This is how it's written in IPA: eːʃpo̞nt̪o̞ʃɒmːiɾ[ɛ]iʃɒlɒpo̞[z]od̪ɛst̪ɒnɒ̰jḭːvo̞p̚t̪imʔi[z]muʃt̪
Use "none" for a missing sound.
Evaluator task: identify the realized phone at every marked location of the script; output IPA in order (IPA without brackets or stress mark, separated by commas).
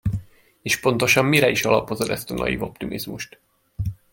ɛ, z, z